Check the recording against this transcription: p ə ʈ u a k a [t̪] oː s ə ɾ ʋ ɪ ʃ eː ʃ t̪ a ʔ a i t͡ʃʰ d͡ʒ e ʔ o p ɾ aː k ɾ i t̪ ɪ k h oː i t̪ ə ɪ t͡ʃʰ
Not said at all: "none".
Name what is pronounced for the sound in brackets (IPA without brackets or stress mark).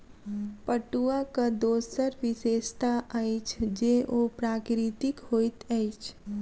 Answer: d̪